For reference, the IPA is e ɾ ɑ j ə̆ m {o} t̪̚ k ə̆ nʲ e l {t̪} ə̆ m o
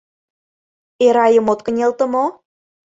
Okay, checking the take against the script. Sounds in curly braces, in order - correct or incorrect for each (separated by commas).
correct, correct